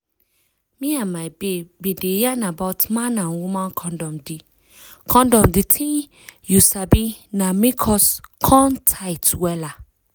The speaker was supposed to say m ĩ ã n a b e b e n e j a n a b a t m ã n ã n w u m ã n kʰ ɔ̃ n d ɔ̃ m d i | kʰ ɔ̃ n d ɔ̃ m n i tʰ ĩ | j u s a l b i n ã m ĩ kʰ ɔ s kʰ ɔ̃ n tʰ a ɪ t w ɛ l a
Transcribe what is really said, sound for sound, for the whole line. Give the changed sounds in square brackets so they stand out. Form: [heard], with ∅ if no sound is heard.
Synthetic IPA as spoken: m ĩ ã [m] a b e b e [d] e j a n a b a t m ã n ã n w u m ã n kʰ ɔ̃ n d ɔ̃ m d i | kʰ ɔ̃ n d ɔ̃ m [d] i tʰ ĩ | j u s a [∅] b i n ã m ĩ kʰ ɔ s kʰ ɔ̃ n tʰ a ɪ t w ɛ l a